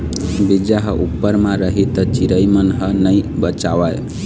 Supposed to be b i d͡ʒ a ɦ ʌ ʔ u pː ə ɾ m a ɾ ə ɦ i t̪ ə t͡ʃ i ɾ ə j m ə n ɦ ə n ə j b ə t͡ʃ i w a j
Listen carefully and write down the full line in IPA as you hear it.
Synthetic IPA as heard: b i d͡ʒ a ɦ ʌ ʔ u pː ə ɾ m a ɾ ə ɦ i t̪ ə t͡ʃ i ɾ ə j m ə n ɦ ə n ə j b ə t͡ʃ a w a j